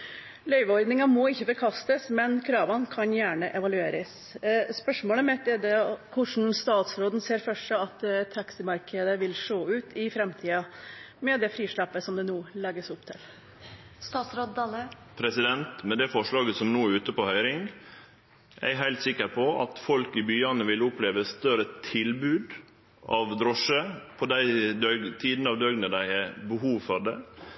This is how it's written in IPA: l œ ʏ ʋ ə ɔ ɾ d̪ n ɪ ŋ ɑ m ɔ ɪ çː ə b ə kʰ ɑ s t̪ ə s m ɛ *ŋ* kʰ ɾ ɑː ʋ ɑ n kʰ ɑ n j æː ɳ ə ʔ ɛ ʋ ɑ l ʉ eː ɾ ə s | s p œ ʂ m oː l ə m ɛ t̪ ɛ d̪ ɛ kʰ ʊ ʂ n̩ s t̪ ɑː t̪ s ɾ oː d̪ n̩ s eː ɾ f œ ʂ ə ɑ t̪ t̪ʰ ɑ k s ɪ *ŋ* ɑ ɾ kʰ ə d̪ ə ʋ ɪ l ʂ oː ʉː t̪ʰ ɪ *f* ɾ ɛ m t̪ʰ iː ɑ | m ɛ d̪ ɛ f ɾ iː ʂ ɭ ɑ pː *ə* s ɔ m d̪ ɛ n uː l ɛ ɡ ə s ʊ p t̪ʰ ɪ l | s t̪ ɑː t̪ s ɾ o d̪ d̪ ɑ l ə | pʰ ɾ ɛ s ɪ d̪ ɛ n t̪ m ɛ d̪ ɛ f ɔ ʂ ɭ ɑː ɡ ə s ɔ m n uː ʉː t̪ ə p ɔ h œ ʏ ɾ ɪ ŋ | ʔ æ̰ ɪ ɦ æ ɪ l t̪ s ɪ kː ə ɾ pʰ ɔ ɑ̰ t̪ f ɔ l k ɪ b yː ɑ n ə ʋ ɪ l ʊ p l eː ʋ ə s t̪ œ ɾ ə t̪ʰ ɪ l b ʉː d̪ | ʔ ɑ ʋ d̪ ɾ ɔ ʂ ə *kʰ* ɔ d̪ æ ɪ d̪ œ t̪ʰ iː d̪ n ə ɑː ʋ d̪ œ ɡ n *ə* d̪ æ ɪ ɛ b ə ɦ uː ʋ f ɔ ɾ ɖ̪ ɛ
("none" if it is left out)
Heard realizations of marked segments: n, m, f, ə, pʰ, ə

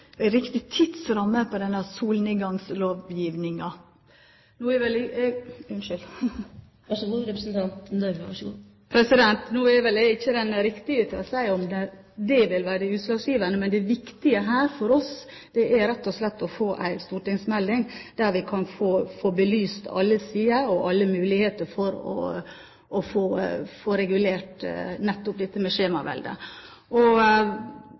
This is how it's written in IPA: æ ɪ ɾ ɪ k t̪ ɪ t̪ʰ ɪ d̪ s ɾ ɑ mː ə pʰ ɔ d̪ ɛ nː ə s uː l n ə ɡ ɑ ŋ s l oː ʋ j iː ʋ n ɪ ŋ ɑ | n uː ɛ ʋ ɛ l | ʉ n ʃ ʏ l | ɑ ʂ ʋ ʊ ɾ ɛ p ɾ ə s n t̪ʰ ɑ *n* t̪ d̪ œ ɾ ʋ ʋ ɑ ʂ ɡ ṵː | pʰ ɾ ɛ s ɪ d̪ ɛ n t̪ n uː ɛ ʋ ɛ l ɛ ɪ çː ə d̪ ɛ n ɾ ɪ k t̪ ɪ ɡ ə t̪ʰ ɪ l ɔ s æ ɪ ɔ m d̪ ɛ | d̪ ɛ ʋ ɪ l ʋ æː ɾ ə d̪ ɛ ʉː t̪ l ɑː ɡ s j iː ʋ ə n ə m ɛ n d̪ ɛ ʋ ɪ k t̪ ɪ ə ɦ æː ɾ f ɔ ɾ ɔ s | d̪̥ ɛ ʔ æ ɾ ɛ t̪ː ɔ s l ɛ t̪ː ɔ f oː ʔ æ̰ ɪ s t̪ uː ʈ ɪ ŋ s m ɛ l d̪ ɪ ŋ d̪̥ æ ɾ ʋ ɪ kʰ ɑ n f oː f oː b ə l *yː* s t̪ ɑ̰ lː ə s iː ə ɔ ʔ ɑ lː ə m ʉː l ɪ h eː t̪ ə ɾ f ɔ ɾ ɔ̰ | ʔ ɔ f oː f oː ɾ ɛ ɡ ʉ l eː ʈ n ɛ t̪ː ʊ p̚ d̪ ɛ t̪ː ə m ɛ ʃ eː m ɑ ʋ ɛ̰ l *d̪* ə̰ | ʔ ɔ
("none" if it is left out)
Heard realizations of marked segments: n, yː, d̪

